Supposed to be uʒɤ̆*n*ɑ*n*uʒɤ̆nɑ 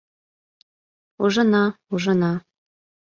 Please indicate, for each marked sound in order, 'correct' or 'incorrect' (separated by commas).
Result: correct, incorrect